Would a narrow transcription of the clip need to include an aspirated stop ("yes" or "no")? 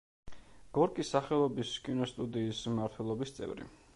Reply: yes